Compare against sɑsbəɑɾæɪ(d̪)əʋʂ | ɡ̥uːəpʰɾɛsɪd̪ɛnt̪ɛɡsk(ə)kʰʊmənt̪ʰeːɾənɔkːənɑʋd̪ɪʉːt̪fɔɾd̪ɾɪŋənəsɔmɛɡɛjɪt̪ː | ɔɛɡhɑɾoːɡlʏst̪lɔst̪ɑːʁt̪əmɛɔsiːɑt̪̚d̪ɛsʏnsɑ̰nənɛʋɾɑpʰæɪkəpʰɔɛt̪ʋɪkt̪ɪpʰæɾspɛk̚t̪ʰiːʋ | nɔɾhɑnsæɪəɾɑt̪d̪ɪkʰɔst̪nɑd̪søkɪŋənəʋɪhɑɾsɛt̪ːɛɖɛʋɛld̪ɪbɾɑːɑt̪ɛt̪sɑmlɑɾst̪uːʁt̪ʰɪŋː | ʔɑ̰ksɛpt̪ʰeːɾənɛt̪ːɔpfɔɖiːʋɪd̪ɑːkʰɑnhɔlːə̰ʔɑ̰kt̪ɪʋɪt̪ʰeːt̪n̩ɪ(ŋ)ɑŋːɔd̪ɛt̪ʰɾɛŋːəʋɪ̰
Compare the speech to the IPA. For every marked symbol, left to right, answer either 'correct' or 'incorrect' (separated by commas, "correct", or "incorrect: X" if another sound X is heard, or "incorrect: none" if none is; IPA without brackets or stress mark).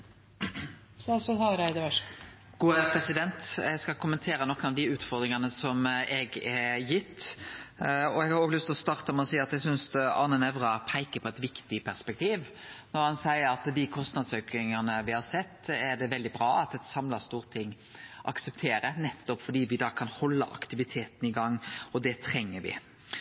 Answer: correct, incorrect: ɑ, incorrect: ɡ